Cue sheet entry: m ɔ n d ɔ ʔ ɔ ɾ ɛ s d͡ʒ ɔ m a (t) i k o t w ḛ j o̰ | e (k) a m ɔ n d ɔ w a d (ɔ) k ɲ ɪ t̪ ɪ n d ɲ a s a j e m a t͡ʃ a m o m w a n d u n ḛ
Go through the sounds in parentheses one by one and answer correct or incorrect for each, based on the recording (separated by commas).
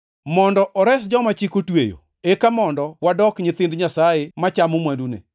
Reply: incorrect, correct, correct